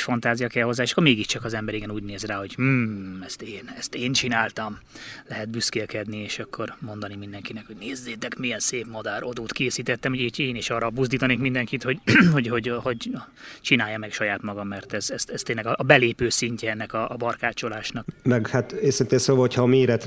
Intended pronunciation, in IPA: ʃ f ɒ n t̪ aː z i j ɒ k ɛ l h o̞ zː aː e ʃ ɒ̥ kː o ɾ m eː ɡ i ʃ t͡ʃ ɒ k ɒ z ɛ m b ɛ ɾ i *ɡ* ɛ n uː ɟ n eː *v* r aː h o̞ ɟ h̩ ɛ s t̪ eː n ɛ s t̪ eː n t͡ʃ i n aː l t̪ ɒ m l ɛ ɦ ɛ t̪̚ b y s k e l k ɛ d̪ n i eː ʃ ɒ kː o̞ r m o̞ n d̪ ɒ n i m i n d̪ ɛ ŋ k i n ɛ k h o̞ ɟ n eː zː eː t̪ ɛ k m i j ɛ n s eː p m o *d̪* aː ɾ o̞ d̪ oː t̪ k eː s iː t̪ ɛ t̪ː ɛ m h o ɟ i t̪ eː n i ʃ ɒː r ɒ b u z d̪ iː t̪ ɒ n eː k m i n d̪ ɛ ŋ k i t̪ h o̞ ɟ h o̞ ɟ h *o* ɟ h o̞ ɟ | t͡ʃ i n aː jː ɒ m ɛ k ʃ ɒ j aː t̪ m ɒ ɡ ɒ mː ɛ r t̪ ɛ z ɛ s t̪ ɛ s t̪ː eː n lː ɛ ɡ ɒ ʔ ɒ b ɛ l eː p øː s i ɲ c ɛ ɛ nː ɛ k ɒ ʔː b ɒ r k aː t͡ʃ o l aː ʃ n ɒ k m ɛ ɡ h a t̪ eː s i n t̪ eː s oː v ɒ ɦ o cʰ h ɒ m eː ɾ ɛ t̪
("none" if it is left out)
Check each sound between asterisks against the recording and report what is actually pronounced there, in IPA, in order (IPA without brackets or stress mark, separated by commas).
ɡ, z, d̪, o